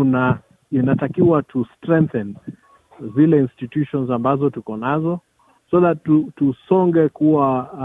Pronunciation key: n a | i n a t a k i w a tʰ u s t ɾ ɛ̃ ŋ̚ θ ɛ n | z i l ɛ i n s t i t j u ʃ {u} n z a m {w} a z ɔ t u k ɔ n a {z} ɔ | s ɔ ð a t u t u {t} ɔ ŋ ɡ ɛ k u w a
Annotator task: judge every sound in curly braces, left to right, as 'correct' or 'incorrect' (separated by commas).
incorrect, incorrect, correct, incorrect